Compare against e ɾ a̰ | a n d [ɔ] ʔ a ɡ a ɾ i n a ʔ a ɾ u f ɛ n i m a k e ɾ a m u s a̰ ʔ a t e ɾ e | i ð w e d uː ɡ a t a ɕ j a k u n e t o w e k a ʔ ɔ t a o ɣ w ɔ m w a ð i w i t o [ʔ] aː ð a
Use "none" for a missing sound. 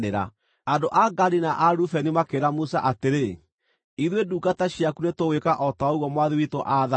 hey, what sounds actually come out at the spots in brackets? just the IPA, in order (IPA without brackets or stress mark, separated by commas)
o, ʔ